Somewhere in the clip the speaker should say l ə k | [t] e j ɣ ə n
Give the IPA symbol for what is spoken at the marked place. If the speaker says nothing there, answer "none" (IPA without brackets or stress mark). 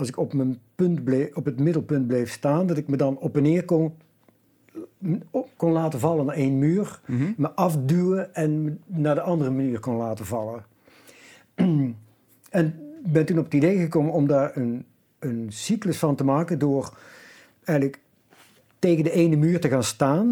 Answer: t